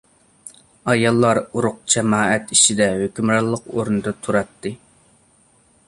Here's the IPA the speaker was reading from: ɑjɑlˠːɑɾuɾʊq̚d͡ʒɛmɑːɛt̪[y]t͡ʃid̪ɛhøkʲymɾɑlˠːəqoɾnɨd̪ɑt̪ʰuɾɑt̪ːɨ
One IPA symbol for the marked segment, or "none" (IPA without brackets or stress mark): i